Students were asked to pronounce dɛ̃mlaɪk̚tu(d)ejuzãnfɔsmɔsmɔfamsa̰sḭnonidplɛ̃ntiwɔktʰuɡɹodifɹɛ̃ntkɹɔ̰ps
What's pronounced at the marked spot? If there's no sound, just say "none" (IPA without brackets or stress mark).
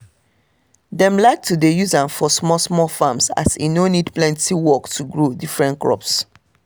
d